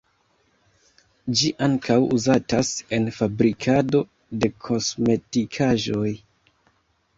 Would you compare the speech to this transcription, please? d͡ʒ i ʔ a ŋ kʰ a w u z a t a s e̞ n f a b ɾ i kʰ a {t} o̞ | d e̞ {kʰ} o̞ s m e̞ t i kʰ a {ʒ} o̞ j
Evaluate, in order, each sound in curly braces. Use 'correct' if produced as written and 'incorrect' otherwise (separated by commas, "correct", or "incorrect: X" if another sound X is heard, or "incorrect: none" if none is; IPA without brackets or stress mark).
incorrect: d, correct, correct